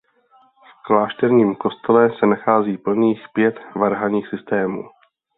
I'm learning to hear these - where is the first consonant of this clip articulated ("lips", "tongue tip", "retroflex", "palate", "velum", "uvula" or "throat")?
lips